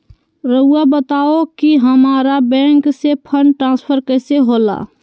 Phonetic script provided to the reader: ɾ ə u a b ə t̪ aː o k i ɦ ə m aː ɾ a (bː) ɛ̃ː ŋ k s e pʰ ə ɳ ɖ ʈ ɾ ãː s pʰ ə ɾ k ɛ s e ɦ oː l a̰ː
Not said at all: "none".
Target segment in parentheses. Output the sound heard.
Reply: b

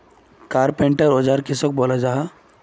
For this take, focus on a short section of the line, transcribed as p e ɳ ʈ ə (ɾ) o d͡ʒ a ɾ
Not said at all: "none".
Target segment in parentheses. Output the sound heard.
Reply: ɾ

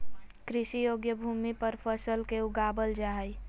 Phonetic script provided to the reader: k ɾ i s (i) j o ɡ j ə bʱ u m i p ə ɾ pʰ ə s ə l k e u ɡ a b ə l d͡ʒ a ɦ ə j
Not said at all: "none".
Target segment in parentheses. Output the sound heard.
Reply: i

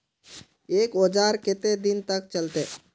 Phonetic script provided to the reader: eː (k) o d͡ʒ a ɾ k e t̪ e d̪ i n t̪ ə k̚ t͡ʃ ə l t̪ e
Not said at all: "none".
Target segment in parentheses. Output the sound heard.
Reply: k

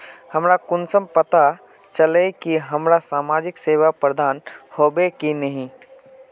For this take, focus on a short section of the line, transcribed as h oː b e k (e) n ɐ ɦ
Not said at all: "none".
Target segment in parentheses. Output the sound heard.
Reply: i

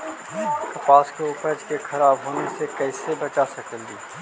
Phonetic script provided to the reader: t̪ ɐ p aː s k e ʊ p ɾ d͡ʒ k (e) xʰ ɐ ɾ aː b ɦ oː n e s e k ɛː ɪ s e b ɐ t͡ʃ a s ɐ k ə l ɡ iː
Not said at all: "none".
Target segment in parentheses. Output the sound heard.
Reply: e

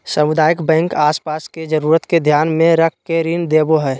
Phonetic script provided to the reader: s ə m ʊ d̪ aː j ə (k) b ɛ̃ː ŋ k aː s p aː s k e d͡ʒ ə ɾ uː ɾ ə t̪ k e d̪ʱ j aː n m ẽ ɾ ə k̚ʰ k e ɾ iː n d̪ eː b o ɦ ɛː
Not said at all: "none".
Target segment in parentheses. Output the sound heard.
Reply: k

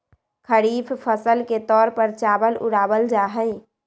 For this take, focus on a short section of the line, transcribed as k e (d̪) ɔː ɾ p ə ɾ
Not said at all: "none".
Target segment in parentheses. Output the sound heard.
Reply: t̪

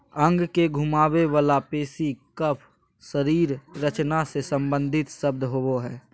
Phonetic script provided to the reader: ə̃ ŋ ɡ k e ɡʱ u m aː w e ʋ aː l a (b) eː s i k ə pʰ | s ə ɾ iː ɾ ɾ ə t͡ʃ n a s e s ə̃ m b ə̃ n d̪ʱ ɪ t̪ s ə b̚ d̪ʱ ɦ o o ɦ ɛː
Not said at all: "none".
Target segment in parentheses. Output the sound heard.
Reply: p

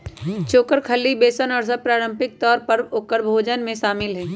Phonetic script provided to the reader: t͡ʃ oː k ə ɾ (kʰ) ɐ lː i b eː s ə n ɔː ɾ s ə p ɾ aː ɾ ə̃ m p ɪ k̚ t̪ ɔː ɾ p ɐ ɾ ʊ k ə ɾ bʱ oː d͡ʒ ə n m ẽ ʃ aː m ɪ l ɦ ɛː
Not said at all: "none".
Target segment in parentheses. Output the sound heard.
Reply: kʰ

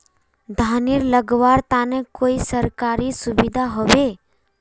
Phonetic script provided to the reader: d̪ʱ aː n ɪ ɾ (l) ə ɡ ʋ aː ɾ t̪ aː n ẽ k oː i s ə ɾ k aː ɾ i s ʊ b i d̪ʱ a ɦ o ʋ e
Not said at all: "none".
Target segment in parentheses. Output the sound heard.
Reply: l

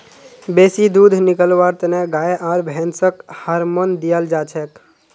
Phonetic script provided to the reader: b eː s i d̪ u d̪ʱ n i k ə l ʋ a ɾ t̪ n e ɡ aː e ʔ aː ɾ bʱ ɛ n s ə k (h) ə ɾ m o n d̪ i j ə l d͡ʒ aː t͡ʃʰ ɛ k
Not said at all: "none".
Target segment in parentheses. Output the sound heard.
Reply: h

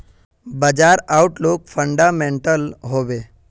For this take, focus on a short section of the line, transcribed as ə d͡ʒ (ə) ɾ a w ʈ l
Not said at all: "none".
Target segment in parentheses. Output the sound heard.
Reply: a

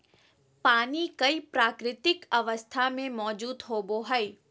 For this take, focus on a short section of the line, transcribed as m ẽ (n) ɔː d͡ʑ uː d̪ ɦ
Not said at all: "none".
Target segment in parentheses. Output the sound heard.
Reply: m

